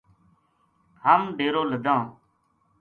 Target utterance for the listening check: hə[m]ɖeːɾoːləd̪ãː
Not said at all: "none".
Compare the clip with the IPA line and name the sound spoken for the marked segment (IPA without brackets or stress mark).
m